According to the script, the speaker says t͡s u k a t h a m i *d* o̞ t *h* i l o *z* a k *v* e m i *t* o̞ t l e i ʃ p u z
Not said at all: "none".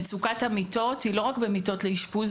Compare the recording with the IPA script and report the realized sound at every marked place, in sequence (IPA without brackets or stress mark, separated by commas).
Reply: t, h, ʁ, b, t